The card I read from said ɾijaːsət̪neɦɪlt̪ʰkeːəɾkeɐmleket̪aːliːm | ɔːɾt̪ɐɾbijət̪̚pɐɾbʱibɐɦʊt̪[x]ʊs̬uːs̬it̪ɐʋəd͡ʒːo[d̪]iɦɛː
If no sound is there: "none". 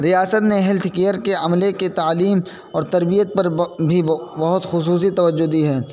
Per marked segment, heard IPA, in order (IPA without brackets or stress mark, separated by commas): x, d̪